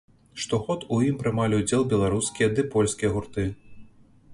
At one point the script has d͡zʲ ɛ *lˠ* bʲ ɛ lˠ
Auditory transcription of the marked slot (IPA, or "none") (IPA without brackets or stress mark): lˠ